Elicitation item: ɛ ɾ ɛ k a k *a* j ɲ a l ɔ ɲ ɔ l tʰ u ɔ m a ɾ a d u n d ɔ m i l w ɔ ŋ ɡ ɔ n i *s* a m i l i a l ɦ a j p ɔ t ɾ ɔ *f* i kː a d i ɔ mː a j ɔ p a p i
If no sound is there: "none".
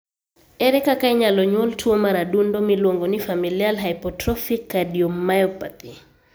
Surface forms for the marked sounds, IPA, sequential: a, f, f

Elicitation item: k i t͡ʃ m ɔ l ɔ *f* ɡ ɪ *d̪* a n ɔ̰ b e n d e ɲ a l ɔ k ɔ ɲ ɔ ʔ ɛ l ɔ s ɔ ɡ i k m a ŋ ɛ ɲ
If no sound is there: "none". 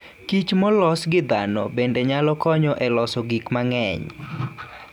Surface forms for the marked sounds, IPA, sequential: s, d̪

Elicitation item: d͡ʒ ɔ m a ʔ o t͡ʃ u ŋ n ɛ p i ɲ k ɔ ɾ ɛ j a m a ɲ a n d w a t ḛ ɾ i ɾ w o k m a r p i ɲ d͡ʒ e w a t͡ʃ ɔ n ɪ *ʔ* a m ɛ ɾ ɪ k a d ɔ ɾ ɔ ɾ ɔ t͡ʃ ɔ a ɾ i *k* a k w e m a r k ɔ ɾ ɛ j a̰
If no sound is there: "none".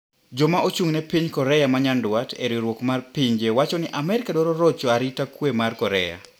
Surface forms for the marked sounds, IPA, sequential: ʔ, t

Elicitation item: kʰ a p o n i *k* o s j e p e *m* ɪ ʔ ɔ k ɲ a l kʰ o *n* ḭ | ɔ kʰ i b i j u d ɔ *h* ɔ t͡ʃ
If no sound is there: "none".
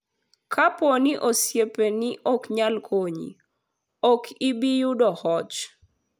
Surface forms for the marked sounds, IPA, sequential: ʔ, n, ɲ, h

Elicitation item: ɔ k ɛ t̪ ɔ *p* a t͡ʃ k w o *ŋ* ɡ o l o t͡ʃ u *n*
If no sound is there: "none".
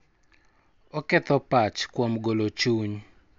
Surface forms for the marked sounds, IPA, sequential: p, m, ɲ

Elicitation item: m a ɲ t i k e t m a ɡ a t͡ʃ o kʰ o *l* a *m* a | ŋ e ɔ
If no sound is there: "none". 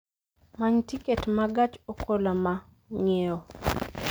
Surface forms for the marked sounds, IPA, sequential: l, m

